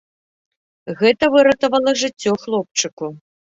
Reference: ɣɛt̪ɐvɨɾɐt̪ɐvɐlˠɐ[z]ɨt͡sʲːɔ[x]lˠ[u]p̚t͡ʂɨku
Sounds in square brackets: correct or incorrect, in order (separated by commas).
incorrect, correct, incorrect